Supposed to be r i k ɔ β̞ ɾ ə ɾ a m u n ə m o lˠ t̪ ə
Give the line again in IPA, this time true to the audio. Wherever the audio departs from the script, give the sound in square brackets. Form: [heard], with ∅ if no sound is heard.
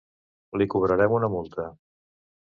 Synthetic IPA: [l] i k [u] β̞ ɾ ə ɾ [ɛ] m u n ə m [u] lˠ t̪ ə